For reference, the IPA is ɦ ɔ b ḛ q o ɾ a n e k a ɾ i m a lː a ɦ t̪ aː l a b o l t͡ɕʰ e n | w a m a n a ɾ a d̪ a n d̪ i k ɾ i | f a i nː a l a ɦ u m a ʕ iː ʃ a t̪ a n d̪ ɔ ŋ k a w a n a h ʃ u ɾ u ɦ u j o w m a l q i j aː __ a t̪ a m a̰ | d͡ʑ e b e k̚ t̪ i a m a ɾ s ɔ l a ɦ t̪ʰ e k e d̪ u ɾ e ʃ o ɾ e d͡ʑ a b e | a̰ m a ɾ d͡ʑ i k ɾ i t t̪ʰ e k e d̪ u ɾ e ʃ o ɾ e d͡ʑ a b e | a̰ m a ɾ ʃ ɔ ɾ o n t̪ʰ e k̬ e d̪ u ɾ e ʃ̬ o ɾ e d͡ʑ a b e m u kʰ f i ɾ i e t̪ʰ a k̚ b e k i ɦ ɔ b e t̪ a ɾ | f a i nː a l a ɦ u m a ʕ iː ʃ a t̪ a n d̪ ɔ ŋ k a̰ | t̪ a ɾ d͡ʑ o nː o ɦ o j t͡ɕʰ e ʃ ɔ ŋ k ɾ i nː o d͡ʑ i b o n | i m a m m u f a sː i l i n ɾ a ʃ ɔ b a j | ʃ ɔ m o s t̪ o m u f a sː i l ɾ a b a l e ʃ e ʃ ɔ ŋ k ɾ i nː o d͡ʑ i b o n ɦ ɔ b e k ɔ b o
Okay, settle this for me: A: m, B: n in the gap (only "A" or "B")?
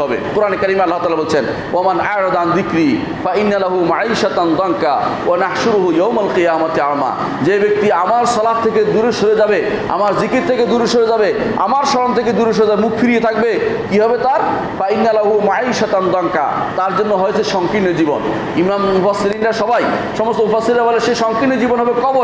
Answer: A